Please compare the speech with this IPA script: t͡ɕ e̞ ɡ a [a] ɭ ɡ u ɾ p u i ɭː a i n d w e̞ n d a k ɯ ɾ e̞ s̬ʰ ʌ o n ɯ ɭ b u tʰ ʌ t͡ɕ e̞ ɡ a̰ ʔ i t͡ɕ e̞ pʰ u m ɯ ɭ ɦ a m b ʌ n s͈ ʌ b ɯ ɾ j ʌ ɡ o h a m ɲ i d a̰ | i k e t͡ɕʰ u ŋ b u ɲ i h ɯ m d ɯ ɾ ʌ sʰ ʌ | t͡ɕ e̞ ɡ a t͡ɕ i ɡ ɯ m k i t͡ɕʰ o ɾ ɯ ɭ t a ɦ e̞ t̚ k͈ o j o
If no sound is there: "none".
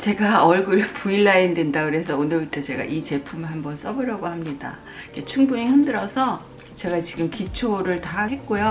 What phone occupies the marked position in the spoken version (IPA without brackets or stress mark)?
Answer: ʌ